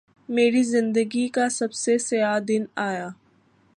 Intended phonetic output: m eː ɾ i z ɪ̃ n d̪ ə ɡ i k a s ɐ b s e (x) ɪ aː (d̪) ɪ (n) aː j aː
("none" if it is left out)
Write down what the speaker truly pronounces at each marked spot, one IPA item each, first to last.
s, d̪, n

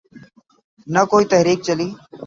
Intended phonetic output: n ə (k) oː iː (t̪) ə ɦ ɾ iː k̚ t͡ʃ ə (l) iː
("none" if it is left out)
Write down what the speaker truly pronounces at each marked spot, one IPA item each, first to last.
k, t̪, l

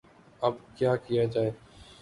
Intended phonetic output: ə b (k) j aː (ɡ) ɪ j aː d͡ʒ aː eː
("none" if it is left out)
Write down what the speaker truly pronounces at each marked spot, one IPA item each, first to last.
k, k

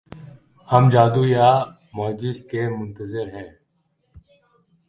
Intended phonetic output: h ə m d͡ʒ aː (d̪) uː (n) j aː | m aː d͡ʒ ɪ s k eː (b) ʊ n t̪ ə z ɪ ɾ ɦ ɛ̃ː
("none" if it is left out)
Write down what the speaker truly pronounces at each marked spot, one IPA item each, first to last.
d̪, none, m

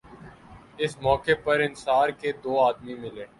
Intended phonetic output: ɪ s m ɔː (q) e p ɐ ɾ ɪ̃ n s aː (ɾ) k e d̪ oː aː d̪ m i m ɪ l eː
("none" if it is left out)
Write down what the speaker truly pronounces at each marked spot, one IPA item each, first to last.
k, ɾ

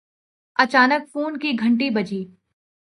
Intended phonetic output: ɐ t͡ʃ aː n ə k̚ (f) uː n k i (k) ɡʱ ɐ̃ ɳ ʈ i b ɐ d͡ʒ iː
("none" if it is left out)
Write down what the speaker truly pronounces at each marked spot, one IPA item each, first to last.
f, none

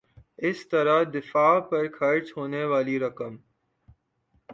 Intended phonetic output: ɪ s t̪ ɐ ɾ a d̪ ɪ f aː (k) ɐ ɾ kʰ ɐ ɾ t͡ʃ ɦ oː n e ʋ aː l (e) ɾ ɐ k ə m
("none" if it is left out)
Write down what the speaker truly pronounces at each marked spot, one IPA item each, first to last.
p, i

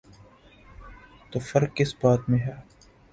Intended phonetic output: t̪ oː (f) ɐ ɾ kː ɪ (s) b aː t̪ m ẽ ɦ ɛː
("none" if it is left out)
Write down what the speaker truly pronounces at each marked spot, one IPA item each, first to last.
f, s

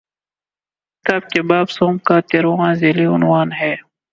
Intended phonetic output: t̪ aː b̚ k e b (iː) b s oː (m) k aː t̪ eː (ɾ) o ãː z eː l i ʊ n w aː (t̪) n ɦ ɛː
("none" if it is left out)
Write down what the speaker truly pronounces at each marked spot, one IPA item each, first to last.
aː, m, ɾ, none

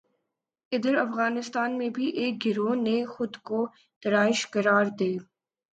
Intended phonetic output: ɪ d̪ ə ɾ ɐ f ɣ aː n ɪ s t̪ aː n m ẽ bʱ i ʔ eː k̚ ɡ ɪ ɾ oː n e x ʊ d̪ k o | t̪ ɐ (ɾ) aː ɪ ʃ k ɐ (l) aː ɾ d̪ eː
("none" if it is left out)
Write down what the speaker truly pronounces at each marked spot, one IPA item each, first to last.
ɾ, ɾ

